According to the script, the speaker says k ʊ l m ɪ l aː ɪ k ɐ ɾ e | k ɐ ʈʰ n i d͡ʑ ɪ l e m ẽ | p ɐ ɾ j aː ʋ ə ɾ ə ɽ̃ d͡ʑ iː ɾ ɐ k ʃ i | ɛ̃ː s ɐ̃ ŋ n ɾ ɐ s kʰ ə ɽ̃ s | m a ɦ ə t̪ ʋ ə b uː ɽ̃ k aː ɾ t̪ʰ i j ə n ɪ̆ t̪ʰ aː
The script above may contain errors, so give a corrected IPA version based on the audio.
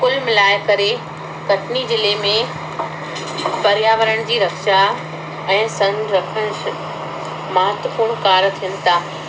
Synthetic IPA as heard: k ʊ l m ɪ l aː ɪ k ɐ ɾ e | k ɐ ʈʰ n i d͡ʑ ɪ l e m ẽ | p ɐ ɾ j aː ʋ ə ɾ ə ɽ̃ d͡ʑ iː ɾ ɐ k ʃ a | ɛ̃ː s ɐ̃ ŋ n ɾ ɐ kʰ ə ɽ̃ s | m ɐ ɦ ə t̪ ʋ ə p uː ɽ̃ k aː ɾ t̪ʰ i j ə n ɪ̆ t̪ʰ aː